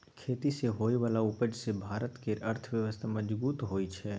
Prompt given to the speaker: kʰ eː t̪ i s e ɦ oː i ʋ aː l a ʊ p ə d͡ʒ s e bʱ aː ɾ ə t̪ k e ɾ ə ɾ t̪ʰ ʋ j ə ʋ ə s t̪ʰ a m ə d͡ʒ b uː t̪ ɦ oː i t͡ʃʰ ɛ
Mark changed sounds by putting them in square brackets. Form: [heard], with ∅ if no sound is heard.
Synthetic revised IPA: kʰ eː t̪ i s e ɦ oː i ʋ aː l a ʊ p ə d͡ʒ s e bʱ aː ɾ ə t̪ k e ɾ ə ɾ t̪ʰ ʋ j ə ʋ ə s t̪ʰ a m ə d͡ʒ b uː t̪ ɦ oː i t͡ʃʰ ɛ

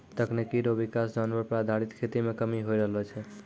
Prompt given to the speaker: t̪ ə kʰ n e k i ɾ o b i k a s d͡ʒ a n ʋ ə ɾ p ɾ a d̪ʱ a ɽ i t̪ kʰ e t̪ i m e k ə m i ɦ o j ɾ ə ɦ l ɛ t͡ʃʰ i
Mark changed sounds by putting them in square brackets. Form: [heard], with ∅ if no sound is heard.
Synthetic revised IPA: t̪ ə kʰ n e k i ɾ o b i k a s d͡ʒ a n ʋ ə ɾ p ɾ a d̪ʱ a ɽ i t̪ kʰ e t̪ i m e k ə m i ɦ o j ɾ ə ɦ l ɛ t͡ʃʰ [ɛ]

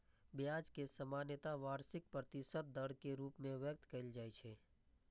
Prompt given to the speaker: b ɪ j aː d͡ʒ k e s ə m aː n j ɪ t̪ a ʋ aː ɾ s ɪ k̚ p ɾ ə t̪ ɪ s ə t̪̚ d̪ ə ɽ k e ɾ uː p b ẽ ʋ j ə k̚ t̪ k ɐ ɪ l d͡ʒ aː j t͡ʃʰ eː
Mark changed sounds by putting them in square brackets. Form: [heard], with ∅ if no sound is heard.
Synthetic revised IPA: b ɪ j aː d͡ʒ k e s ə m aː n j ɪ t̪ a ʋ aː ɾ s ɪ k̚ p ɾ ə t̪ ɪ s ə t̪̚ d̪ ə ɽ k e ɾ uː p [m] ẽ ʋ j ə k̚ t̪ k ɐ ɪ l d͡ʒ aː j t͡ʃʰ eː

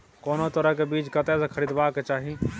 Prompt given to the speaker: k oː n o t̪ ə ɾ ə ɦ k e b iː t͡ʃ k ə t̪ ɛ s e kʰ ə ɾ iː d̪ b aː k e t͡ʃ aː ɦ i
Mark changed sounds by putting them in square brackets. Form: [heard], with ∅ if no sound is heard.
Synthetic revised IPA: k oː n o t̪ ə ɾ ə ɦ k e b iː t͡ʃ k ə t̪ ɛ s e kʰ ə ɾ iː d̪ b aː k e t͡ʃ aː ɦ i

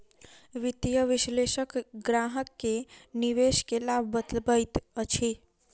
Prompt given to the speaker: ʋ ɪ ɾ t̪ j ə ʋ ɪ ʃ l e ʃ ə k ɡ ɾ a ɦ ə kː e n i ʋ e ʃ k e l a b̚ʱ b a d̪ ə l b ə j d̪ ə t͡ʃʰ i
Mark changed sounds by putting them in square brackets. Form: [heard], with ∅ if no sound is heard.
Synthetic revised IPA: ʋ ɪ [∅] t̪ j ə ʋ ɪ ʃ l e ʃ ə k ɡ ɾ a ɦ ə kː e n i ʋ e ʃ k e l a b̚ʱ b [ə] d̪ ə l b ə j [t̪] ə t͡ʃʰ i

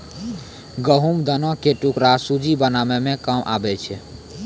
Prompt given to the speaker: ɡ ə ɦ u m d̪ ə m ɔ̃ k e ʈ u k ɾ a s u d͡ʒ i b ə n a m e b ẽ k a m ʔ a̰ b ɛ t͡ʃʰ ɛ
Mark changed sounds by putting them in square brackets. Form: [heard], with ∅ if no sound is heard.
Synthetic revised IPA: ɡ ə ɦ u m d̪ ə [n] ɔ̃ k e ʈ u k ɾ a s u d͡ʒ i b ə n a m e [m] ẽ k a m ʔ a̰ b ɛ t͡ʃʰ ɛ

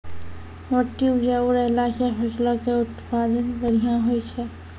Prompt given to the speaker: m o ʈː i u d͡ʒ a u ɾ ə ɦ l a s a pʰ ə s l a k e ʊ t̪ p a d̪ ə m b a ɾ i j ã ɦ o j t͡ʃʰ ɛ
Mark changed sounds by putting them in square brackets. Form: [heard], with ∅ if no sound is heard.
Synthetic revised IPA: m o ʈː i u d͡ʒ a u ɾ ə ɦ l a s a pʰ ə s l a k e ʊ t̪ p a d̪ ə [n] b [ə] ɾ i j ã ɦ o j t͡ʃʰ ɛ

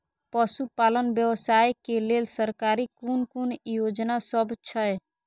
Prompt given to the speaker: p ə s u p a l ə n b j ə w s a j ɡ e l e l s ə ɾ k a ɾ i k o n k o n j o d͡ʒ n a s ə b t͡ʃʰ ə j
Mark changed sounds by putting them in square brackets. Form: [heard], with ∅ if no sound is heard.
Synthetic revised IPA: p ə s u p a l ə n b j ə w s a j [k] e l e l s ə ɾ k a ɾ i k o n k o n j o d͡ʒ n a s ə b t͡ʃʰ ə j

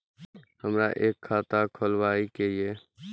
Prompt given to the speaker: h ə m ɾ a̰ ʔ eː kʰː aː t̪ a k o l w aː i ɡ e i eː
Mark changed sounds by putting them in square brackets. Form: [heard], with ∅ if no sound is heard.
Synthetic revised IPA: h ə m ɾ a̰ ʔ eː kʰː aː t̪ a [kʰ] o l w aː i [k] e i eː

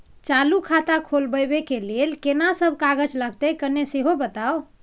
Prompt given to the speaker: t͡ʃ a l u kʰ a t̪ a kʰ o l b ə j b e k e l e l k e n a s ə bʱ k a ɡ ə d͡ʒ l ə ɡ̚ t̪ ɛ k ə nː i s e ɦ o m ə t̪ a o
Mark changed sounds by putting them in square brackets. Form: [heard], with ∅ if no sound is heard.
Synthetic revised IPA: t͡ʃ a l u kʰ a t̪ a kʰ o l b ə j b e k e l e l k e n a s ə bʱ k a ɡ ə d͡ʒ l ə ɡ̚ t̪ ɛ k ə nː [e] s e ɦ o [b] ə t̪ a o

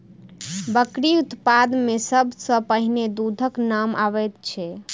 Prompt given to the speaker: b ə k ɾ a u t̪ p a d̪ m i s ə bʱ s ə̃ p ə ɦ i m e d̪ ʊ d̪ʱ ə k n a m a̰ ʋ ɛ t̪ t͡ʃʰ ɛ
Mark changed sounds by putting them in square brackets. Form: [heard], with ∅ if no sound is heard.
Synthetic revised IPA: b ə k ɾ [i] u t̪ p a d̪ m [e] s ə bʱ s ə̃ p ə ɦ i [n] e d̪ [u] d̪ʱ ə k n a m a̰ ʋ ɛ t̪ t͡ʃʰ ɛ

